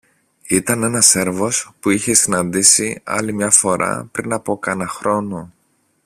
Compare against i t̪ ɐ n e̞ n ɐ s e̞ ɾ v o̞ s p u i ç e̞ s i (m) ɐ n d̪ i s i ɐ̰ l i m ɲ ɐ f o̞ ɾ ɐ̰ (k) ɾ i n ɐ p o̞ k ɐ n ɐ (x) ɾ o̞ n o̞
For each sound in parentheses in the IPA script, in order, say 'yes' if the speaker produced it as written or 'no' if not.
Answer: no, no, yes

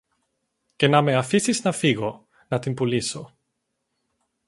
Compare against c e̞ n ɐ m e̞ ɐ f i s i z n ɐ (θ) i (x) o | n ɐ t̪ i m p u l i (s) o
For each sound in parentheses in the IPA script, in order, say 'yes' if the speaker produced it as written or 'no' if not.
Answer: no, no, yes

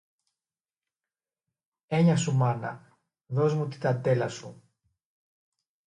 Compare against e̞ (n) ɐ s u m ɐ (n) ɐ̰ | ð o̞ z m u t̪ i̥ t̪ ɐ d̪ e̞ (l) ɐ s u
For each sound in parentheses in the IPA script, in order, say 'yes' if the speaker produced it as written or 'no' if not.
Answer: no, yes, yes

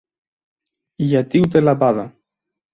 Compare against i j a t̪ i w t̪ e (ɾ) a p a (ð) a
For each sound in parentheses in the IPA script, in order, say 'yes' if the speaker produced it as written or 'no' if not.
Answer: no, yes

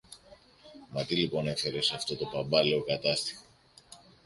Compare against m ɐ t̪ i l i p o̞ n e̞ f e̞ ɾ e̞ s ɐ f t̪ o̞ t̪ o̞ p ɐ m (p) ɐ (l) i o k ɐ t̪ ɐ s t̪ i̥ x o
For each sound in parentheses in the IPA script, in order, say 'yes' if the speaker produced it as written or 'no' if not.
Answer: no, yes

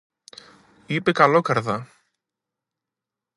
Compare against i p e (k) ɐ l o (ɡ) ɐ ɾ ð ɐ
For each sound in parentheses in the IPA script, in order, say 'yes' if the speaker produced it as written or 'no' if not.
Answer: yes, no

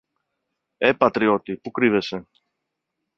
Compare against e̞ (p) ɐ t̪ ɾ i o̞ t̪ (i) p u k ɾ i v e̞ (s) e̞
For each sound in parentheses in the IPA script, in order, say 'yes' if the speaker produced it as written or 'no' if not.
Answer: yes, yes, yes

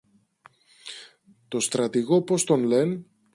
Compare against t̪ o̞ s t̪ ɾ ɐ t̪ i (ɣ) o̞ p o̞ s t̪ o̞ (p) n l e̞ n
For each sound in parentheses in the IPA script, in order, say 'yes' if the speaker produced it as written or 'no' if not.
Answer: yes, no

